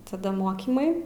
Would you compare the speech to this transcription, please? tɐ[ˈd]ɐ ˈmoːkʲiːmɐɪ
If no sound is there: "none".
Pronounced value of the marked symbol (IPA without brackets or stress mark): d